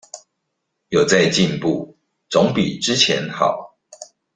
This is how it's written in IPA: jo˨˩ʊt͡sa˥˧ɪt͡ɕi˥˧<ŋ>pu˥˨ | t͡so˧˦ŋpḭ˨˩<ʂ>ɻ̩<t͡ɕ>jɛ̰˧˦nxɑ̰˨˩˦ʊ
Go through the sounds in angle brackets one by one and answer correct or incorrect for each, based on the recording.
incorrect, incorrect, incorrect

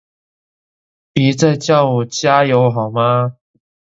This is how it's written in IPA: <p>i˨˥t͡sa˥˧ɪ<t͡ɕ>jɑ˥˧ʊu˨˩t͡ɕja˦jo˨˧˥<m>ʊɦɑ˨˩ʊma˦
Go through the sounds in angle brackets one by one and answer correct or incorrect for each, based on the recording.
correct, correct, incorrect

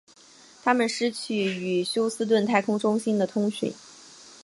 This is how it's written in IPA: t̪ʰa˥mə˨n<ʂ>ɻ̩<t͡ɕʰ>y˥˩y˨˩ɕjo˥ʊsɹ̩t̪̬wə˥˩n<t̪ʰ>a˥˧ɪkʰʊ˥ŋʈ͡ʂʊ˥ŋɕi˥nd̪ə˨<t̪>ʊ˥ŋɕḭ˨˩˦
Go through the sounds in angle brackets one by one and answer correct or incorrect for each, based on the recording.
correct, correct, correct, incorrect

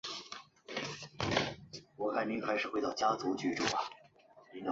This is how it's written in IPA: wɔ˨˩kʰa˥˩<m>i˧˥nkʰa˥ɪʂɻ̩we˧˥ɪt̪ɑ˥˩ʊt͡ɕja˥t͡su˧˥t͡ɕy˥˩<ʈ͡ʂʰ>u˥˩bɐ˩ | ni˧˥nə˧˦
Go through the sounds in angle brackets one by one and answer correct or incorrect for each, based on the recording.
incorrect, incorrect

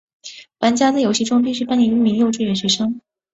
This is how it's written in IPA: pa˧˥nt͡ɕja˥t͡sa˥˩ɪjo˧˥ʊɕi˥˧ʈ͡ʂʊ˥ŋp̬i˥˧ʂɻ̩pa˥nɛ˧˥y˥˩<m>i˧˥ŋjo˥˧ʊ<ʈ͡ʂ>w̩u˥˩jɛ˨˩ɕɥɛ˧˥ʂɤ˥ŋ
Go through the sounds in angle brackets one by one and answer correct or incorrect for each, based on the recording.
correct, correct

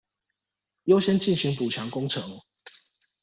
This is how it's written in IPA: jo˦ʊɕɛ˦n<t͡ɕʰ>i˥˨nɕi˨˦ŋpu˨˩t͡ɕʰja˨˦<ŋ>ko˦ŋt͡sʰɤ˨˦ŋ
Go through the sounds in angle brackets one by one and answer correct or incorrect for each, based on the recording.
incorrect, correct

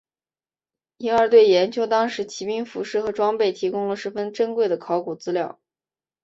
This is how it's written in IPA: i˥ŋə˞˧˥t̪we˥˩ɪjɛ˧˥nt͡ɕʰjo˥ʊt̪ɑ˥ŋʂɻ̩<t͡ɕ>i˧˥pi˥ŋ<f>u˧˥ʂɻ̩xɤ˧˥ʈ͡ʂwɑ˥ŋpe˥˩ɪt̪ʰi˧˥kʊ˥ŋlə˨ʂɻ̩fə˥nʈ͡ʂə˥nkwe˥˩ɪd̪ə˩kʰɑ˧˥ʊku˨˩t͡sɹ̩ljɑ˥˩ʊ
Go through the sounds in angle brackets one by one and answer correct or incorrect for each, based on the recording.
incorrect, correct

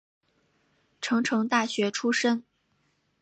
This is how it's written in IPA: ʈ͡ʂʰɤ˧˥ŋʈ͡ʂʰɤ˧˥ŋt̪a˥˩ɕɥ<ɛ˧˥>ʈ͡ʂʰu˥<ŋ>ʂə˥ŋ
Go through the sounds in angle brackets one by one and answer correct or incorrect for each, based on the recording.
correct, incorrect

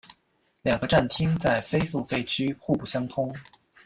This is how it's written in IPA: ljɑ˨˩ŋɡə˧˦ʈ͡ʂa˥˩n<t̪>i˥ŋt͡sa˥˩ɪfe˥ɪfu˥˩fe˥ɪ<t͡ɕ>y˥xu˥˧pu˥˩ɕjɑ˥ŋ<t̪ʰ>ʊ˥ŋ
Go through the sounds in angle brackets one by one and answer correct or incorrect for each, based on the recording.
incorrect, incorrect, correct

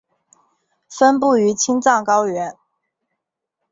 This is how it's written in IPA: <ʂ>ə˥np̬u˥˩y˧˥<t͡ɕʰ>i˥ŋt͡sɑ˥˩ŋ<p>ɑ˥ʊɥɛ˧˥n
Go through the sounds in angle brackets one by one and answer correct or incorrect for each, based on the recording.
incorrect, correct, incorrect

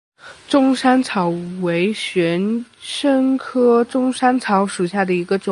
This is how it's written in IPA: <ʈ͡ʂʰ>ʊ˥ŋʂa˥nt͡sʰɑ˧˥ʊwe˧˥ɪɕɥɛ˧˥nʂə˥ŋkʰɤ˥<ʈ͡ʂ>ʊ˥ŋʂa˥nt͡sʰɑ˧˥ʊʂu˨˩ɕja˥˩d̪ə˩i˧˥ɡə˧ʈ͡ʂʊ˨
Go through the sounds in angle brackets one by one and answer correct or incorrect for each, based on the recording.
incorrect, correct

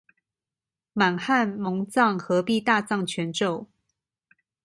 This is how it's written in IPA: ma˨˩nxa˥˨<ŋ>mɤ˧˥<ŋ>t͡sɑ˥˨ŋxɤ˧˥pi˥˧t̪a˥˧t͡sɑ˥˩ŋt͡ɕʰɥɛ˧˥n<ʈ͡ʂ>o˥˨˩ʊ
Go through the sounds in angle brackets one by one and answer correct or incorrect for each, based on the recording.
incorrect, correct, correct

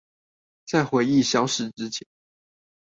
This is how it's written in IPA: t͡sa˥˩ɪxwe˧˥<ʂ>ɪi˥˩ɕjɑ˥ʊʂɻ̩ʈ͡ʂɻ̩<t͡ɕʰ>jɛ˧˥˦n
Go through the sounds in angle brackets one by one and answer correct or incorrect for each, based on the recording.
incorrect, correct

